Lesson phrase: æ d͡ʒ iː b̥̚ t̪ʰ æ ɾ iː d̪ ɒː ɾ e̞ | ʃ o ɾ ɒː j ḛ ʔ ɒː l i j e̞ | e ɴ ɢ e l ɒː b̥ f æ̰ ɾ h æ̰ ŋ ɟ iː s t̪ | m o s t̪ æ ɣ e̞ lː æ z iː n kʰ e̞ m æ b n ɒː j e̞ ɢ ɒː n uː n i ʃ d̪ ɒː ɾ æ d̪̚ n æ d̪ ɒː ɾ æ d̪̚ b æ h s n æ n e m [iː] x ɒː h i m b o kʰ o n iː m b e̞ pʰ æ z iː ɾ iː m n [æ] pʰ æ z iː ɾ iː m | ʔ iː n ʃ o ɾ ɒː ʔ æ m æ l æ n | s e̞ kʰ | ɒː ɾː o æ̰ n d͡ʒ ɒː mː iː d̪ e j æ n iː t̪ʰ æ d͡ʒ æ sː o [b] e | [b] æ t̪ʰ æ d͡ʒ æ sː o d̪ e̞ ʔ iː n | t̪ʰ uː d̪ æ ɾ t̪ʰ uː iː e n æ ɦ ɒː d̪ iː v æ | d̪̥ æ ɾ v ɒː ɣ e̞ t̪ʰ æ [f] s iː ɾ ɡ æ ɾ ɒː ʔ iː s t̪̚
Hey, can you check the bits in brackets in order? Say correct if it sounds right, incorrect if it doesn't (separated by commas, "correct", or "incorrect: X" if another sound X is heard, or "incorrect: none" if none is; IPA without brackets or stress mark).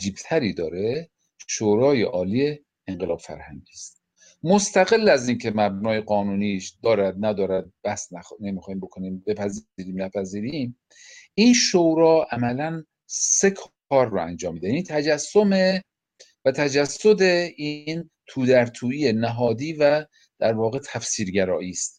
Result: incorrect: i, correct, incorrect: m, incorrect: v, correct